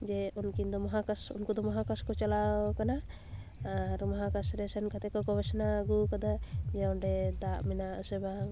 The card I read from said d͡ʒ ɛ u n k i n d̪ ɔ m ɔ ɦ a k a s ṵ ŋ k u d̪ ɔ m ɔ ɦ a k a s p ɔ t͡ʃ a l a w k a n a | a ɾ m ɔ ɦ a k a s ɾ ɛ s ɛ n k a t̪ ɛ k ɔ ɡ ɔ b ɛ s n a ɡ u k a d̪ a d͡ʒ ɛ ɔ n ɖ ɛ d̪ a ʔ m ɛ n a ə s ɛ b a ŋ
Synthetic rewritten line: d͡ʒ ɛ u n k i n d̪ ɔ m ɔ ɦ a k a s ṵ n k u d̪ ɔ m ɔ ɦ a k a s k ɔ t͡ʃ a l a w k a n a | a ɾ m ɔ ɦ a k a s ɾ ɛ s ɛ n k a t̪ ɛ k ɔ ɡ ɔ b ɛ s n a ɡ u k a d̪ a d͡ʒ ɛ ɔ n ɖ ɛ d̪ a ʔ m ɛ n a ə s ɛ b a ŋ